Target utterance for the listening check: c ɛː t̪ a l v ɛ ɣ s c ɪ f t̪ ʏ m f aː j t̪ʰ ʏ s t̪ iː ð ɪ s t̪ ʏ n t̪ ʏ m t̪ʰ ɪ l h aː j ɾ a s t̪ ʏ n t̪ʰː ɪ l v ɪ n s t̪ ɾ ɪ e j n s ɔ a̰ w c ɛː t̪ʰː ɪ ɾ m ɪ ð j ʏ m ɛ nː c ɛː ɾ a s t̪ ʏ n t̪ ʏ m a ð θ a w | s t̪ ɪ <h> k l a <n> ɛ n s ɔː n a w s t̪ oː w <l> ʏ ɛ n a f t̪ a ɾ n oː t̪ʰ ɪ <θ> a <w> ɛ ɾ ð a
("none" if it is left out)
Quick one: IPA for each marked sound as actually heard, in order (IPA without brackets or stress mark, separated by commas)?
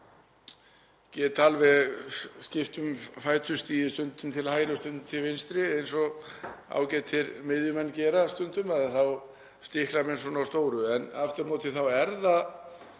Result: h, m, ɾ, θ, w